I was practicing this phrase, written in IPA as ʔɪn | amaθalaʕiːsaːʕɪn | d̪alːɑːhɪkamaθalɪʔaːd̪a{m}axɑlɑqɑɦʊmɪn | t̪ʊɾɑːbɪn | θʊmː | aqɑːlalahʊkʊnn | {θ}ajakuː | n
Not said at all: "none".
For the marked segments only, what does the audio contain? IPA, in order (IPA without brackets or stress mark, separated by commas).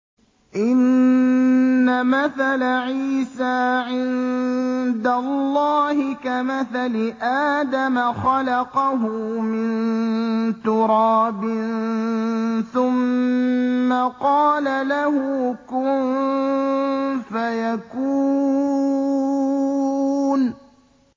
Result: m, f